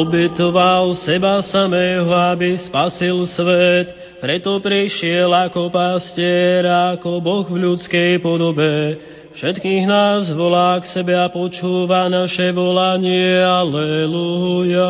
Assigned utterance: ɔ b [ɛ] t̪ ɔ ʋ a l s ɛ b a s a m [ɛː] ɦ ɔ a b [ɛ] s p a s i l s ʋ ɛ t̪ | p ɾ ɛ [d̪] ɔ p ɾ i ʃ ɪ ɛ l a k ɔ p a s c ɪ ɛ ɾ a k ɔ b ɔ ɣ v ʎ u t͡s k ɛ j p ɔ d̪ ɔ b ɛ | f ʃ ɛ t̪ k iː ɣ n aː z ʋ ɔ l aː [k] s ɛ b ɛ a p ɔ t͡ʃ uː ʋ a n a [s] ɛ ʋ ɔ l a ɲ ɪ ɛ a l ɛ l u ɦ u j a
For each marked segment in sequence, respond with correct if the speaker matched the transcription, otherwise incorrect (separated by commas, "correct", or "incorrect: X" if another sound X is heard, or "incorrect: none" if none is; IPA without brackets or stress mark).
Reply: correct, correct, incorrect: i, incorrect: t̪, correct, incorrect: ʃ